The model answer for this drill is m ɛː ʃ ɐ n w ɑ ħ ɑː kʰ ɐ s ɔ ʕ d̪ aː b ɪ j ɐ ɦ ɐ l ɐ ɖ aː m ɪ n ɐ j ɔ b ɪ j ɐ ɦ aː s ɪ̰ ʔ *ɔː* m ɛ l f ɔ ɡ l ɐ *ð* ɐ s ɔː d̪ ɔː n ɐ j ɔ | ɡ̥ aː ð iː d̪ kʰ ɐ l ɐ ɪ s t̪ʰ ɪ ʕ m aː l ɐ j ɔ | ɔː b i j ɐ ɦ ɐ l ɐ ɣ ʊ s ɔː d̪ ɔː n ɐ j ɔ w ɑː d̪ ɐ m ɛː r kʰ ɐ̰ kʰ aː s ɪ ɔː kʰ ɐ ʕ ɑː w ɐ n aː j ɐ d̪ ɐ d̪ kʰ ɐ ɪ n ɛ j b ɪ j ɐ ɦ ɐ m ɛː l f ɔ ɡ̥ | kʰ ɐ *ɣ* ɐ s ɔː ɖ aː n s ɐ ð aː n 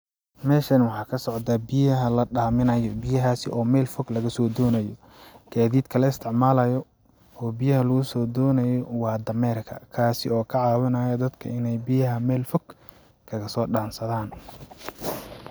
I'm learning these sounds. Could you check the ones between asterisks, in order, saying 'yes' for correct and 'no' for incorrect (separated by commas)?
yes, no, yes